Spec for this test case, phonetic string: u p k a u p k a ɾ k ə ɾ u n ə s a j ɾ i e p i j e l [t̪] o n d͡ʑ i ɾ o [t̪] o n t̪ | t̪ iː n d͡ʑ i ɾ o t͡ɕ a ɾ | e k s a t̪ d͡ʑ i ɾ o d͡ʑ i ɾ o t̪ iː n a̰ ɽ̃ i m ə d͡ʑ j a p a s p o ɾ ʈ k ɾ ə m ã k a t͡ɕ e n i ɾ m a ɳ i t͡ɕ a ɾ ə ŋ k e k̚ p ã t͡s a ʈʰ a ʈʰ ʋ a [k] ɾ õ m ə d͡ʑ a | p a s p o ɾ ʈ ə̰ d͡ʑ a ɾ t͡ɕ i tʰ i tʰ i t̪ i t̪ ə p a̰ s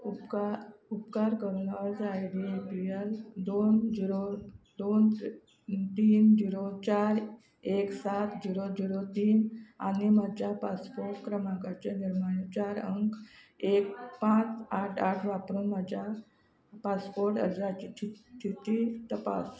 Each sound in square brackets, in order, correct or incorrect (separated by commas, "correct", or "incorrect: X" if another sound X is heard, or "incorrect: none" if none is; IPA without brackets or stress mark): incorrect: d̪, incorrect: d̪, incorrect: p